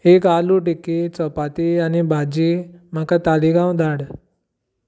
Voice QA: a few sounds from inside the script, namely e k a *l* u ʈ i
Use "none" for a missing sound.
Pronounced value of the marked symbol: l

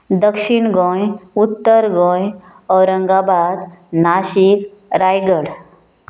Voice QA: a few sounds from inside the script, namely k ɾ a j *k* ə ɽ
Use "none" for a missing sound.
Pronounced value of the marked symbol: ɡ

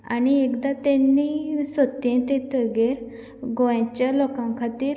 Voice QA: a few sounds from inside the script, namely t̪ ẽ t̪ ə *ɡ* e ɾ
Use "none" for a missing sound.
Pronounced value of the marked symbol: ɡ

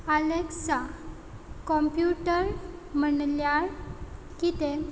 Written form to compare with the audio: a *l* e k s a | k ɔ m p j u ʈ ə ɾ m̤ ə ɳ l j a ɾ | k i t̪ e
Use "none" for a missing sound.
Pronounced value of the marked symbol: l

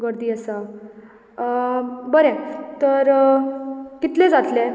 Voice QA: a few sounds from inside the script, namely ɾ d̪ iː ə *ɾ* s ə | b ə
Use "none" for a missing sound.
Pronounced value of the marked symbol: none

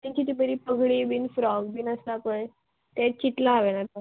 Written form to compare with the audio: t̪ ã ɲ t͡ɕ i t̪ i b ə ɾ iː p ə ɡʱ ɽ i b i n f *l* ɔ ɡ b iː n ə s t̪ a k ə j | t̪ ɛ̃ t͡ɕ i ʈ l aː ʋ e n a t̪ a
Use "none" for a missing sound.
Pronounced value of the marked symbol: ɾ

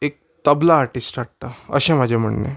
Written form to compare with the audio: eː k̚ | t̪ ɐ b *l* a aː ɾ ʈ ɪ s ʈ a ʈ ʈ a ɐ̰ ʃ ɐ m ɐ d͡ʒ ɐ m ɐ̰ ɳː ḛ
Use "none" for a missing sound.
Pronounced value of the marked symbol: l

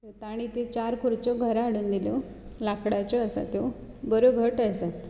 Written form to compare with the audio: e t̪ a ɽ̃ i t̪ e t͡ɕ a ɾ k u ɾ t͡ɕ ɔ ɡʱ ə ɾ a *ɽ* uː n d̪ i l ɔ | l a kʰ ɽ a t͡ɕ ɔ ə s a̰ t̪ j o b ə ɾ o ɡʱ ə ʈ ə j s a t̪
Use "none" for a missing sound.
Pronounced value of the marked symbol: ɽ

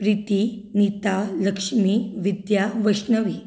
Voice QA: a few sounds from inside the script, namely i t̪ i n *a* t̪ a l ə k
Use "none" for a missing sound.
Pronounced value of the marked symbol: i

